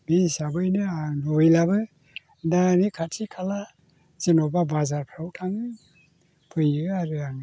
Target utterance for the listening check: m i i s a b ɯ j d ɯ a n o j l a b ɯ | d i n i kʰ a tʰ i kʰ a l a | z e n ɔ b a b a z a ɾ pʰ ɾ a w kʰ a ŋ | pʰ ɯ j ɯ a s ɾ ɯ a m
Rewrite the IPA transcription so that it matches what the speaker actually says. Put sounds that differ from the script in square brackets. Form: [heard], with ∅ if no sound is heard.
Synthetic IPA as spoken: m i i s a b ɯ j [n] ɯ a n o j l a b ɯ | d [a] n i kʰ a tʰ i kʰ a l a | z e n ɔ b a b a z a ɾ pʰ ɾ a w [tʰ] a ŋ | pʰ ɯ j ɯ a [∅] ɾ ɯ a [ŋ]